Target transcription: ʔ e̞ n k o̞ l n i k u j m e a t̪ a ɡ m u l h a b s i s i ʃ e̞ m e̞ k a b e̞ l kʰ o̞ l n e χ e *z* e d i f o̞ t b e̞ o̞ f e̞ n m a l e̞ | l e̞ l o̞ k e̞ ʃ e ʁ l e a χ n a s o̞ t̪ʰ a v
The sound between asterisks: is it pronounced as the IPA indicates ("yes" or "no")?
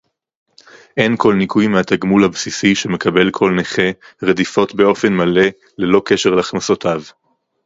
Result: no